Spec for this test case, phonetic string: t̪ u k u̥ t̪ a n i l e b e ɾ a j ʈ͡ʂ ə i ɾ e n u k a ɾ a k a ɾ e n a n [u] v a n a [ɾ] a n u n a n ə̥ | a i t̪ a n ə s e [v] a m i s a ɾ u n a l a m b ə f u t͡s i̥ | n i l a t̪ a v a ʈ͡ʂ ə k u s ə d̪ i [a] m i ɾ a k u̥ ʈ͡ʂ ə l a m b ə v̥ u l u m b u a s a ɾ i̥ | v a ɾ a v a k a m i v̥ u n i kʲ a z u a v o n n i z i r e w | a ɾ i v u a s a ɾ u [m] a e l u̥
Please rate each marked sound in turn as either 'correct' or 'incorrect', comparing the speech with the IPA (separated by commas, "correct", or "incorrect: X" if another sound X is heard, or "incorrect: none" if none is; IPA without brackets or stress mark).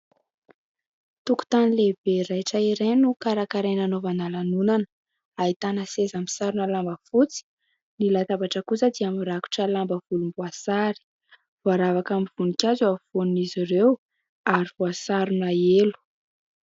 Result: incorrect: o, incorrect: l, incorrect: z, correct, incorrect: n